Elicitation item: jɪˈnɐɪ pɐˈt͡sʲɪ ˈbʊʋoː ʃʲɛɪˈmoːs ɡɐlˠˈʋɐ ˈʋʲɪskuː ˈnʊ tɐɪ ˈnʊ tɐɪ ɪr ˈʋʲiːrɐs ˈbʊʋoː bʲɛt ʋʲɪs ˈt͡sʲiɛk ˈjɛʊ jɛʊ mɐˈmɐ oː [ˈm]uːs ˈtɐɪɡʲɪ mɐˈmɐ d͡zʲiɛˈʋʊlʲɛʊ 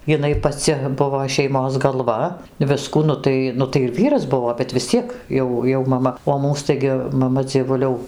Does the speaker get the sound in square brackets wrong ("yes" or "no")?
no